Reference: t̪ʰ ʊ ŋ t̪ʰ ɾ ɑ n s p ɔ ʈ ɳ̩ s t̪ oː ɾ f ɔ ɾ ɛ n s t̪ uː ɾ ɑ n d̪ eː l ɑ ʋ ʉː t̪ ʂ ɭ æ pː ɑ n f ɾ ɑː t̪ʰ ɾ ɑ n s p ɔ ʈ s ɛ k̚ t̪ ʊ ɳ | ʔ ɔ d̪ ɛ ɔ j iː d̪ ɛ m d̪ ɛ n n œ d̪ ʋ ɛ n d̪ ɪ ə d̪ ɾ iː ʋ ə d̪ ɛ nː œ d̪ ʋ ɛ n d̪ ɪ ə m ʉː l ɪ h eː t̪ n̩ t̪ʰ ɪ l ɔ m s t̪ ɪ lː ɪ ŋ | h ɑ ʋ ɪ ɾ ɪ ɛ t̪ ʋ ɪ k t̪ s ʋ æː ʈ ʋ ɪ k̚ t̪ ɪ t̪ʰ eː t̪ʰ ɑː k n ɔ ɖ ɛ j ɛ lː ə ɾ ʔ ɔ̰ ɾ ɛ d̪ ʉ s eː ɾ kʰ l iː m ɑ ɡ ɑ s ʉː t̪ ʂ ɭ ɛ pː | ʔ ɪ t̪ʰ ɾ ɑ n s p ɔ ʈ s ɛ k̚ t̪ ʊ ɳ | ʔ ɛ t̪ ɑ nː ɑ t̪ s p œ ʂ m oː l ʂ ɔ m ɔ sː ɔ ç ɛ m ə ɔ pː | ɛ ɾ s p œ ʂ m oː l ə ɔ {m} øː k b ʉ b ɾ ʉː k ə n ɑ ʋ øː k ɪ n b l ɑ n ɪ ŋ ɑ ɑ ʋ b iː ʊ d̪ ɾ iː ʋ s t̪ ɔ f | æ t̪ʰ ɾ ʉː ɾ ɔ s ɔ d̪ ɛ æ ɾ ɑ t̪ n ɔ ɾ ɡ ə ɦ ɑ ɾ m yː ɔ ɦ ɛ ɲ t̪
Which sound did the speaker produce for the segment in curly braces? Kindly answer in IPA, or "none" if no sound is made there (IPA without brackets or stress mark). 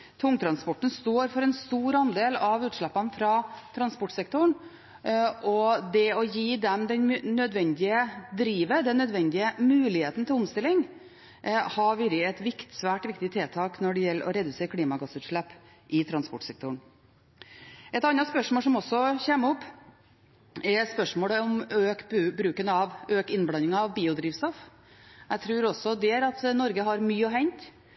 m